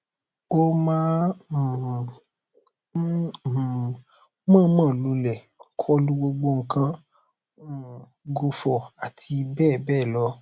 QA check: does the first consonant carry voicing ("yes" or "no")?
yes